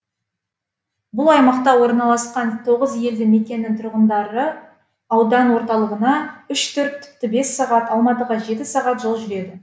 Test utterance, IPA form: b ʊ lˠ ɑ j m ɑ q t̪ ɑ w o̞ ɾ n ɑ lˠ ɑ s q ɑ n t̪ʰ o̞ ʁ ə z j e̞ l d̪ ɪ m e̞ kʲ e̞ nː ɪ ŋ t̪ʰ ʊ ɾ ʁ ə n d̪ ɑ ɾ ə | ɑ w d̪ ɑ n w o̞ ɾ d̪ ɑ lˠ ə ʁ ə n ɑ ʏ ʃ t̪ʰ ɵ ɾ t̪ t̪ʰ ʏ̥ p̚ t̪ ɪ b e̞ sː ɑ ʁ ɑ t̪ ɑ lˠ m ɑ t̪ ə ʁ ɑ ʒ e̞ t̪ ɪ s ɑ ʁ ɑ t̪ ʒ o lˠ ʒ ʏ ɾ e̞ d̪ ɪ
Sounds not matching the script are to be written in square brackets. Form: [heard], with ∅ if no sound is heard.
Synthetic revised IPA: b ʊ lˠ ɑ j m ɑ q t̪ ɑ w o̞ ɾ n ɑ lˠ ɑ s q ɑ n t̪ʰ o̞ ʁ ə z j e̞ l d̪ ɪ m e̞ kʲ e̞ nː ɪ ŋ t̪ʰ ʊ ɾ ʁ ə n d̪ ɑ ɾ ə | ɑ w d̪ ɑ n w o̞ ɾ [t̪] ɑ lˠ ə ʁ ə n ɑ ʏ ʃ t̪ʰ ɵ ɾ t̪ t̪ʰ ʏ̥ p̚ t̪ ɪ b e̞ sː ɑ ʁ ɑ t̪ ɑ lˠ m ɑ t̪ ə ʁ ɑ ʒ e̞ t̪ ɪ s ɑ ʁ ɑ t̪ ʒ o lˠ ʒ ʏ ɾ e̞ d̪ ɪ

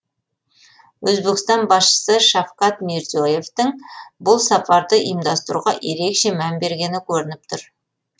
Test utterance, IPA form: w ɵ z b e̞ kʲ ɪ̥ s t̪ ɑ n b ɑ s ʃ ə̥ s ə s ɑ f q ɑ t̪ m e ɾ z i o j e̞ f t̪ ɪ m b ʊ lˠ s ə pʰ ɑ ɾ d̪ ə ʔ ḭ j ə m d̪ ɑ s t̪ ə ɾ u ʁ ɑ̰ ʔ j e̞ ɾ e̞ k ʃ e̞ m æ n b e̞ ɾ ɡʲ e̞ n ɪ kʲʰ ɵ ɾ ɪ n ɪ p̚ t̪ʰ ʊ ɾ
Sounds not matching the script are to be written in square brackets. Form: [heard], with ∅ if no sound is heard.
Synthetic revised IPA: w ɵ z b e̞ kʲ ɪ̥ s t̪ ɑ n b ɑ s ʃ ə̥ s ə [ʃ] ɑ f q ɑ t̪ m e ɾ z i o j e̞ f t̪ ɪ [ŋ] b ʊ lˠ s [ɑ] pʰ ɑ ɾ d̪ ə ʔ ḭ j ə m d̪ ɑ s t̪ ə ɾ u ʁ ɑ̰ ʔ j e̞ ɾ e̞ k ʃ e̞ m æ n b e̞ ɾ ɡʲ e̞ n ɪ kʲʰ ɵ ɾ ɪ n ɪ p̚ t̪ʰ ʊ ɾ

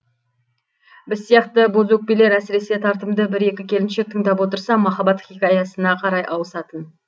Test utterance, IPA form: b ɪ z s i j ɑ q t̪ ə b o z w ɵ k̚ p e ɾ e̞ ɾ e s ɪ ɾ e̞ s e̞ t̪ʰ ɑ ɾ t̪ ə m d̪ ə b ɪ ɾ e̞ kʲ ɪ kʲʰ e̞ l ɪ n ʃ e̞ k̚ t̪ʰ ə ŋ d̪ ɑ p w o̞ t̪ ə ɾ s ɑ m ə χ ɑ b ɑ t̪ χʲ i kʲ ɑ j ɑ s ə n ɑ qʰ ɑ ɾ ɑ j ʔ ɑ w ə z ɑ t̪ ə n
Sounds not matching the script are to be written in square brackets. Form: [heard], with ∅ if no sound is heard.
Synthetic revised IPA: b ɪ z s i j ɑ q t̪ ə b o z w ɵ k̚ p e [l] e̞ ɾ [æ] s ɪ ɾ e̞ s e̞ t̪ʰ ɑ ɾ t̪ ə m d̪ ə b ɪ ɾ e̞ kʲ ɪ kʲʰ e̞ l ɪ n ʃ e̞ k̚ t̪ʰ ə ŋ d̪ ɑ p w o̞ t̪ ə ɾ s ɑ m [ɑ] χ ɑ b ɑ t̪ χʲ i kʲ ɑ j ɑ s ə n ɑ qʰ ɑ ɾ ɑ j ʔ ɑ w ə [s] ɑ t̪ ə n

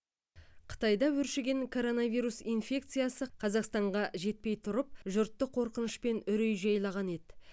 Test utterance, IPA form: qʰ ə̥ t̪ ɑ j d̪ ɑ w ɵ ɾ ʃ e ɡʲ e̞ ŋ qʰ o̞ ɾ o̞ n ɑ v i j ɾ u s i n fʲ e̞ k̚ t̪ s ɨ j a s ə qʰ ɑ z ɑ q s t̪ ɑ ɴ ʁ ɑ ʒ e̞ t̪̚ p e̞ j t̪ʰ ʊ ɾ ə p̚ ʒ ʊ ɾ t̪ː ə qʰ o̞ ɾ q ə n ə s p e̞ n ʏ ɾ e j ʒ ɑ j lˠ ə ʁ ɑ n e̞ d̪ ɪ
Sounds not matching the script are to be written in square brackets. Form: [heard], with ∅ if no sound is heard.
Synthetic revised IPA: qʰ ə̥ t̪ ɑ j d̪ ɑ w ɵ ɾ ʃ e ɡʲ e̞ ŋ [kʰ] o̞ ɾ o̞ n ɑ v i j ɾ u s i n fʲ e̞ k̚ t̪ s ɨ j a s ə qʰ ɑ z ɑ q s t̪ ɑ ɴ ʁ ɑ ʒ e̞ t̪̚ p e̞ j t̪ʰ ʊ ɾ ə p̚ ʒ ʊ ɾ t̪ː ə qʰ o̞ ɾ q ə n ə [ʃ] p e̞ n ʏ ɾ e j ʒ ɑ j lˠ [ɑ] ʁ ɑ n e̞ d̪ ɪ

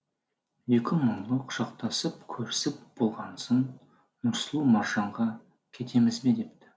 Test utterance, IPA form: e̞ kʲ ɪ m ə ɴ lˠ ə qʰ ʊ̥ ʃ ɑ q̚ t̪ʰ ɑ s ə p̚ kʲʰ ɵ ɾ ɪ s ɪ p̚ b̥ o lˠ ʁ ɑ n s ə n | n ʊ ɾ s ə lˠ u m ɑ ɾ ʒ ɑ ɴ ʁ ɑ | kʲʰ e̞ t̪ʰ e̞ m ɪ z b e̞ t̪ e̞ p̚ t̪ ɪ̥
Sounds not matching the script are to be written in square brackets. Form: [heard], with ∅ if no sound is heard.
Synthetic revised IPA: e̞ kʲ ɪ m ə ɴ lˠ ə qʰ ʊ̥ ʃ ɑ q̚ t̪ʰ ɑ s ə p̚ kʲʰ ɵ ɾ ɪ s ɪ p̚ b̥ o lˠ ʁ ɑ n s ə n | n ʊ ɾ s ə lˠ u m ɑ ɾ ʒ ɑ ɴ ʁ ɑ | kʲʰ e̞ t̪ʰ e̞ m ɪ z b e̞ [d̪] e̞ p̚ t̪ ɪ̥

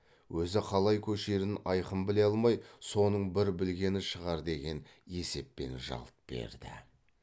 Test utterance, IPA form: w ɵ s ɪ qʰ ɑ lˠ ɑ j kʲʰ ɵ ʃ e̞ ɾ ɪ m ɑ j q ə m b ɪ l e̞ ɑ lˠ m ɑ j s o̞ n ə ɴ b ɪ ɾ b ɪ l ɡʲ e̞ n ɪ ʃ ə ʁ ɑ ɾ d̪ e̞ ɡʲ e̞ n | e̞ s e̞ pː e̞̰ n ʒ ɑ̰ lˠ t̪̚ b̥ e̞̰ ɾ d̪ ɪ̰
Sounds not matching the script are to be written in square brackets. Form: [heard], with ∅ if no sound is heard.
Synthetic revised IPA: w ɵ [z] ɪ qʰ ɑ lˠ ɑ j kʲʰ ɵ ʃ e̞ ɾ ɪ [n] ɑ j q ə m b ɪ l e̞ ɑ lˠ m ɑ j s o̞ n ə ɴ b ɪ ɾ b ɪ l ɡʲ e̞ n ɪ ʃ ə ʁ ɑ ɾ d̪ e̞ ɡʲ e̞ n | e̞ s e̞ pː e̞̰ n ʒ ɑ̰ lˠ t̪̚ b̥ e̞̰ ɾ d̪ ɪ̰

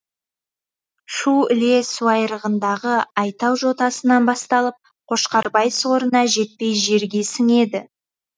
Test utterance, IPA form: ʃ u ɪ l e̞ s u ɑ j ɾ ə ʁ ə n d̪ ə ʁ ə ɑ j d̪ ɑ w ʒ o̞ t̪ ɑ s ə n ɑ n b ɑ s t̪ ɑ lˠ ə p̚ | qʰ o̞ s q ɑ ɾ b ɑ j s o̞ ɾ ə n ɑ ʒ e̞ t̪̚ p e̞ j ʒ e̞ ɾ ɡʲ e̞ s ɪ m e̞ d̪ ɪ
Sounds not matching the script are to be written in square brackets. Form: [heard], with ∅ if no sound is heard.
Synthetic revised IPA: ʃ u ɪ l e̞ s u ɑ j ɾ ə ʁ ə n d̪ [ɑ] ʁ ə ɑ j [t̪] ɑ w ʒ o̞ t̪ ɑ s ə n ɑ n b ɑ s t̪ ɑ lˠ ə p̚ | qʰ o̞ [ʃ] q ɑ ɾ b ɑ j s o̞ ɾ ə n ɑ ʒ e̞ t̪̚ p e̞ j ʒ e̞ ɾ ɡʲ e̞ s ɪ [ŋ] e̞ d̪ ɪ

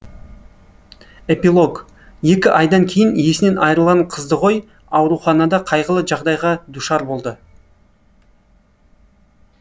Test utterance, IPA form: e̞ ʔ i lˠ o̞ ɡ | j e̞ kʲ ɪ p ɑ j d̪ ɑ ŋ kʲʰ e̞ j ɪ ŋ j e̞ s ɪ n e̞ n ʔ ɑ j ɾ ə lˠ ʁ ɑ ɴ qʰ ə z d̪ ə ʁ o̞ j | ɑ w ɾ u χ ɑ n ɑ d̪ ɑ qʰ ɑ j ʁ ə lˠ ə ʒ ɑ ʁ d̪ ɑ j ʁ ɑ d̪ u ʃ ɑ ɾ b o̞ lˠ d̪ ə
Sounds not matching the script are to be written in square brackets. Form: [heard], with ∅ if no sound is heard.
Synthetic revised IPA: e̞ [p] i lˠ o̞ ɡ | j e̞ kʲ ɪ [ʔ] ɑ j d̪ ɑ ŋ kʲʰ e̞ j ɪ [n] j e̞ s ɪ n e̞ n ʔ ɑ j ɾ ə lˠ ʁ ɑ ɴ qʰ ə z d̪ ə ʁ o̞ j | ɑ w ɾ u χ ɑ n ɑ d̪ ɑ qʰ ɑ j ʁ ə lˠ ə ʒ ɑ ʁ d̪ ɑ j ʁ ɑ d̪ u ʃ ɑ ɾ b o̞ lˠ d̪ ə

